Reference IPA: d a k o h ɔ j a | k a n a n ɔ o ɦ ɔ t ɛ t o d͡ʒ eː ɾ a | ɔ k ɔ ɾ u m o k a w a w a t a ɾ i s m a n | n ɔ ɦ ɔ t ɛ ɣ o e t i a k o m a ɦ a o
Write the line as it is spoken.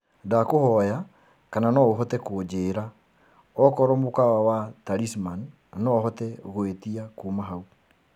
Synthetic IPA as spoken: d a k o h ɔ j a | k a n a n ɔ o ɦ ɔ t ɛ k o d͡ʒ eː ɾ a | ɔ k ɔ ɾ ɔ m o k a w a w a t a ɾ i s m a n | n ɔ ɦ ɔ t ɛ ɣ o e t i a k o m a ɦ a u